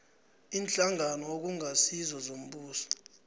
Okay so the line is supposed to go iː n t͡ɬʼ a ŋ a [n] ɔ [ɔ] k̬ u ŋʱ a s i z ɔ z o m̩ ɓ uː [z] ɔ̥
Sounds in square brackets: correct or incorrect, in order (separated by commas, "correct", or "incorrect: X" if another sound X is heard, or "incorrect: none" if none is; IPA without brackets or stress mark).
correct, incorrect: o, incorrect: s